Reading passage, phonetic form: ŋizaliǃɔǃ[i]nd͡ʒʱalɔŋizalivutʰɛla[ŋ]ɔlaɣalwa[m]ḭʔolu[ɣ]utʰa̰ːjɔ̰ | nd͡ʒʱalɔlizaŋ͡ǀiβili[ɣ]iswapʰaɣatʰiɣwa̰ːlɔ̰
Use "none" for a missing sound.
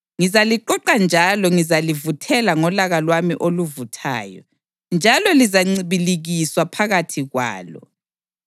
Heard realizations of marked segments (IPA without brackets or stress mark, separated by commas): a, ŋ, m, v, ɣ